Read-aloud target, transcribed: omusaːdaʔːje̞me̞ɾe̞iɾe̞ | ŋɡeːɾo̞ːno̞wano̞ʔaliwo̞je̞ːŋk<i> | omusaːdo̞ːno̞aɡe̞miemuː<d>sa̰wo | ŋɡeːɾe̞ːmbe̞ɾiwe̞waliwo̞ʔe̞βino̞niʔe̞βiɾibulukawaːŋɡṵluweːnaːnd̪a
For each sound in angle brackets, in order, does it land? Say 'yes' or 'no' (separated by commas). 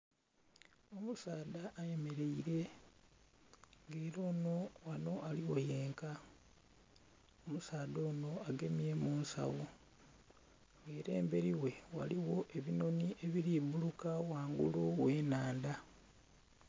no, no